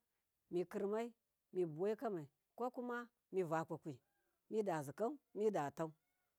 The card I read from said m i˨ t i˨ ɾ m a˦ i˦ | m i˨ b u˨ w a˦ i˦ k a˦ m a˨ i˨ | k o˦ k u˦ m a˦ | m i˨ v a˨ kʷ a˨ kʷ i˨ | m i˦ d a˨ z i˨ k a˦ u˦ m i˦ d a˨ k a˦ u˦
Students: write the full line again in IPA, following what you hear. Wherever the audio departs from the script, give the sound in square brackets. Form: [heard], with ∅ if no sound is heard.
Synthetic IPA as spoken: m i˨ [k] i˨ ɾ m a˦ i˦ | m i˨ b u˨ w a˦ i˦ k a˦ m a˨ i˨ | k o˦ k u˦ m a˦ | m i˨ v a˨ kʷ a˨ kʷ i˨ | m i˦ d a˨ z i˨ k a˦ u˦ m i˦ d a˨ [t] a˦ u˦